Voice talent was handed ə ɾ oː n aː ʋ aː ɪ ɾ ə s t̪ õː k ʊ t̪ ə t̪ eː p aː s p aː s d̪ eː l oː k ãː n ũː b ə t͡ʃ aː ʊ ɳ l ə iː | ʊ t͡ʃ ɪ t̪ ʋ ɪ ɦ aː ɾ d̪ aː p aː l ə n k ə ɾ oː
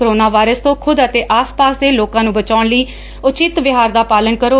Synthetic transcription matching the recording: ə ɾ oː n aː ʋ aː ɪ ɾ ə s t̪ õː kʰ ʊ d̪ ə t̪ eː ʔ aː s p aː s d̪ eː l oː k ãː n ũː b ə t͡ʃ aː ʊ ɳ l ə iː | ʊ t͡ʃ ɪ t̪ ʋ ɪ ɦ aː ɾ d̪ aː p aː l ə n k ə ɾ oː